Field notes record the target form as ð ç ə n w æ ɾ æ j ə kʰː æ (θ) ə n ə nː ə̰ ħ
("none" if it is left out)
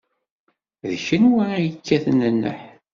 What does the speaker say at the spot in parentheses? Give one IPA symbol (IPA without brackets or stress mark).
θ